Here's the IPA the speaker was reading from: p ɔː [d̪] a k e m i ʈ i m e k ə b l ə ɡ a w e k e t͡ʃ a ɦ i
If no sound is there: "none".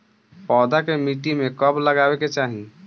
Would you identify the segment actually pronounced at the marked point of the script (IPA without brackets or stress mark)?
d̪